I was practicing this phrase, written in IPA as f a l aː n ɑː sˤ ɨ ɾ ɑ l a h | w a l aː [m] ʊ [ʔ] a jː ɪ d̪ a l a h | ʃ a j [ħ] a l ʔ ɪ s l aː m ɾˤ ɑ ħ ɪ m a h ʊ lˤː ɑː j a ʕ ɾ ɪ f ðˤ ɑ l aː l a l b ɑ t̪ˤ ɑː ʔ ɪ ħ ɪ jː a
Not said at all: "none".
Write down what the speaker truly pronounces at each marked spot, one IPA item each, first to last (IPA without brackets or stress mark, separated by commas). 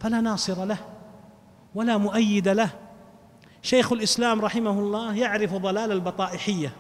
m, ʔ, x